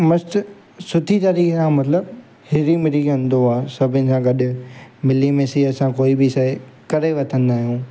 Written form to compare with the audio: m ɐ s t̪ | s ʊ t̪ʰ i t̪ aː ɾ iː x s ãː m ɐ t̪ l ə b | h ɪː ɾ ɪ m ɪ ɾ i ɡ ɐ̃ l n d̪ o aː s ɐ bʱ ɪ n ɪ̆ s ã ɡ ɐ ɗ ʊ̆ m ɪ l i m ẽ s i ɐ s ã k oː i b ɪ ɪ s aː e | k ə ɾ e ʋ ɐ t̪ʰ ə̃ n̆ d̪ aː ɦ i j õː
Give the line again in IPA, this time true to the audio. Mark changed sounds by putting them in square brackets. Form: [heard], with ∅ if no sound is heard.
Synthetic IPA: m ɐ s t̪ | s ʊ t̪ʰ i t̪ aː ɾ iː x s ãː m ɐ t̪ l ə b | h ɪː ɾ [i] m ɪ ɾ i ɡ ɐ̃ [∅] n d̪ o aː s ɐ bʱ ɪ n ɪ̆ s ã ɡ ɐ ɗ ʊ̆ m ɪ l i m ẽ s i ɐ s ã k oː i b ɪ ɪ s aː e | k [ɐ] ɾ e ʋ ɐ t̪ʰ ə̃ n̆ d̪ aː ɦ i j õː